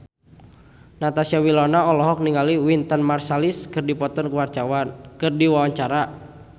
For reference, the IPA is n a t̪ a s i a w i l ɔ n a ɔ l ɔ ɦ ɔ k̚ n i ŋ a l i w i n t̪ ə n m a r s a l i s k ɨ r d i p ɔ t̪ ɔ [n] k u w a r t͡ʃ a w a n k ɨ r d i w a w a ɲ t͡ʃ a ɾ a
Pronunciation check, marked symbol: correct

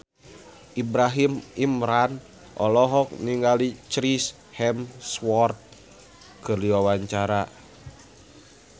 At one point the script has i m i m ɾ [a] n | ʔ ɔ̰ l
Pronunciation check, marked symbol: correct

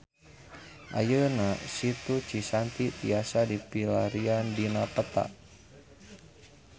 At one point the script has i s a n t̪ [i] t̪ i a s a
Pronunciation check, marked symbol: correct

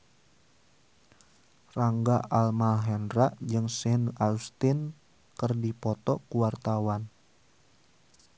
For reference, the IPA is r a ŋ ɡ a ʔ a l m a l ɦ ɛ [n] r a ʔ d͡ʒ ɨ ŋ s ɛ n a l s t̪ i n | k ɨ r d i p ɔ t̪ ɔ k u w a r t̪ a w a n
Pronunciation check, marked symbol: correct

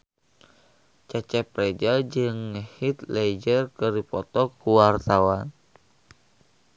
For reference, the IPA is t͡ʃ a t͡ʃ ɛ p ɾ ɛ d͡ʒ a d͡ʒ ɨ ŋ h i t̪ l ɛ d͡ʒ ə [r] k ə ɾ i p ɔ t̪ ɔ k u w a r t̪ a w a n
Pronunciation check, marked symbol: correct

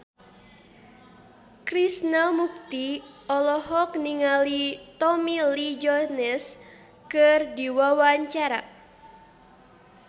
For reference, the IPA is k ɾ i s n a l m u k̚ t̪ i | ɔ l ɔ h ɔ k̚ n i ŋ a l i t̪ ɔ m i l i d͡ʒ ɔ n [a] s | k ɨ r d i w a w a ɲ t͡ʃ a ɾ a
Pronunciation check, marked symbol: incorrect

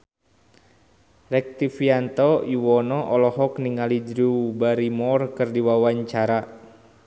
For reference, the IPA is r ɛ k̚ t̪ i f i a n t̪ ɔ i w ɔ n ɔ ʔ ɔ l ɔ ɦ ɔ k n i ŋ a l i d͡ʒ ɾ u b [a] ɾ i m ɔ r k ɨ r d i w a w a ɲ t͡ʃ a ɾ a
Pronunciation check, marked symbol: correct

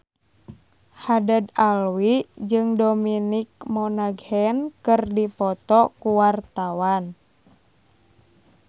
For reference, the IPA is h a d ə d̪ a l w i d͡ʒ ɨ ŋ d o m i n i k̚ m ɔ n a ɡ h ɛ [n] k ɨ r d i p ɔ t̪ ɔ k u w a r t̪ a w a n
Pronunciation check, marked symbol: correct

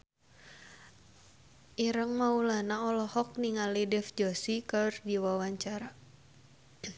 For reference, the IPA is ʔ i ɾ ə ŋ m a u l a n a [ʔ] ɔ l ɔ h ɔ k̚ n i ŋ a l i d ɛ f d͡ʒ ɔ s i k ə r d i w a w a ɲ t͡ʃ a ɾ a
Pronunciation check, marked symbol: incorrect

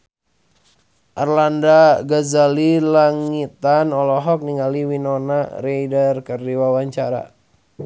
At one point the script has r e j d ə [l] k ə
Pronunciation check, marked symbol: incorrect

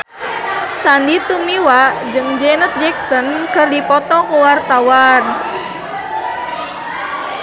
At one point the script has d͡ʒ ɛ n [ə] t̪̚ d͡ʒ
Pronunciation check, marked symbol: correct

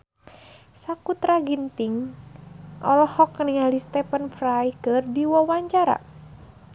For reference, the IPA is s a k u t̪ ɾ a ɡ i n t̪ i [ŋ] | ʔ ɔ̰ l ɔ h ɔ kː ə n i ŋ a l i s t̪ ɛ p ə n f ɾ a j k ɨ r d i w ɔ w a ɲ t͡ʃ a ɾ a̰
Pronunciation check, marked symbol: correct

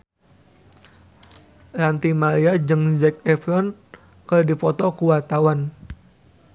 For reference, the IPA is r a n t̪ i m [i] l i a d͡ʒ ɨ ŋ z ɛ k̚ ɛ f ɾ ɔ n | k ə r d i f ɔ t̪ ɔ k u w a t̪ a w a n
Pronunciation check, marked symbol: incorrect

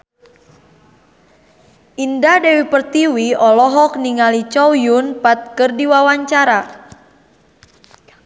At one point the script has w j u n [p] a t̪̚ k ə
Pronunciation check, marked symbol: correct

